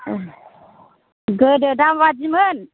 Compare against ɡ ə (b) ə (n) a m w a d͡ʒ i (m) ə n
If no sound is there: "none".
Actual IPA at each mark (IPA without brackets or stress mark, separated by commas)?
d, d, m